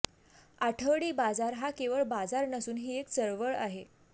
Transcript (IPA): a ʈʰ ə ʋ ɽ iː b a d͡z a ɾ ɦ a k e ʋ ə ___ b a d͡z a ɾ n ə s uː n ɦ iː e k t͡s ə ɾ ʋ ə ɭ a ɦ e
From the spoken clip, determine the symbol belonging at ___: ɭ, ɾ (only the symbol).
ɭ